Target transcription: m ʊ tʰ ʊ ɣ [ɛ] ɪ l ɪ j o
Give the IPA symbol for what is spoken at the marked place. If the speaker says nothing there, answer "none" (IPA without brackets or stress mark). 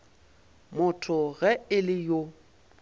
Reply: ɛ